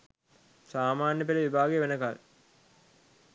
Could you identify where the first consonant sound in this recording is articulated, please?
alveolar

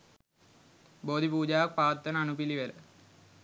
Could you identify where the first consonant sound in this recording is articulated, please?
labial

